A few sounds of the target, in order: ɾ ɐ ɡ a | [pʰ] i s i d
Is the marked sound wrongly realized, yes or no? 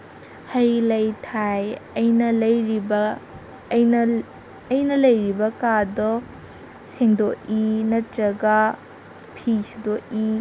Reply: no